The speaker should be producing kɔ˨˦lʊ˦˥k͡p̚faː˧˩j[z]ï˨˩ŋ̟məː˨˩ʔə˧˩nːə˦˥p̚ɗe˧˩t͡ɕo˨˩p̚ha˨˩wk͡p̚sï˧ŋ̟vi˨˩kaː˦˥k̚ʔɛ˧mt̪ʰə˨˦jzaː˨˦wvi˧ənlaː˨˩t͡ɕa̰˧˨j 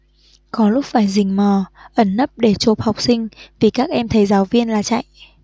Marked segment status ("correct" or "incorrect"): correct